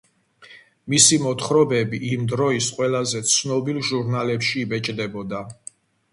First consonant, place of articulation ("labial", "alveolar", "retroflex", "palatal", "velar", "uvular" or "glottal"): labial